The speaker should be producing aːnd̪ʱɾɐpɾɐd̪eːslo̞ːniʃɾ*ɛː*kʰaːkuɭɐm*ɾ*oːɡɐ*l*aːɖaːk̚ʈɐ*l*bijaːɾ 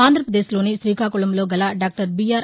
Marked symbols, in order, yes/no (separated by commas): no, no, yes, no